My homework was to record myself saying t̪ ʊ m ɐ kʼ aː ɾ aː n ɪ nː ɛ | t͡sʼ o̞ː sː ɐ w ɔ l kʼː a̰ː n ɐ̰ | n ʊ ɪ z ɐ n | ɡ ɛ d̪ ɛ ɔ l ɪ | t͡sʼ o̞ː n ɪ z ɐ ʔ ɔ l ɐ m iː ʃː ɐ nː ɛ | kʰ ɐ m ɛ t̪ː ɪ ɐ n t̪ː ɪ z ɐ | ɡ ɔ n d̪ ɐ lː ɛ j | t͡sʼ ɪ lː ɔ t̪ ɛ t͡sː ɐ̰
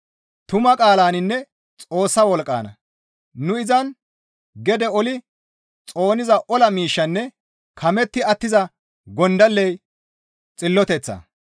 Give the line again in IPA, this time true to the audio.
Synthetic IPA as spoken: t̪ ʊ m ɐ kʼ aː l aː n ɪ nː ɛ | t͡sʼ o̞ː sː ɐ w ɔ l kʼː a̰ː n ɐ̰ | n ʊ ɪ z ɐ n | ɡ ɛ d̪ ɛ ɔ l ɪ | t͡sʼ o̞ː n ɪ z ɐ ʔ ɔ l ɐ m iː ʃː ɐ nː ɛ | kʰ ɐ m ɛ t̪ː ɪ ɐ t̪ː ɪ z ɐ | ɡ ɔ n d̪ ɐ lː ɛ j | t͡sʼ ɪ lː ɔ t̪ ɛ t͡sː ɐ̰